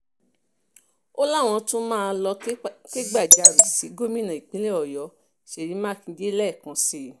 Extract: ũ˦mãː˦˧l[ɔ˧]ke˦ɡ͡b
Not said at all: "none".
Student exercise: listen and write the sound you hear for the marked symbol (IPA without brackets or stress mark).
ɔ˧